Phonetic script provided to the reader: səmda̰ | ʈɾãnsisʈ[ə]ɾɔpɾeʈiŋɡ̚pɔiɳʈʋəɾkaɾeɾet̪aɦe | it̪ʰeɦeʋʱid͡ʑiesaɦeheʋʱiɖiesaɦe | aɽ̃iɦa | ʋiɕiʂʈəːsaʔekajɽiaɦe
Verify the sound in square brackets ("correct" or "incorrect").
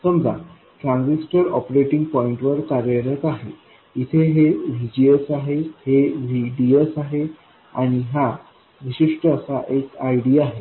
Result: correct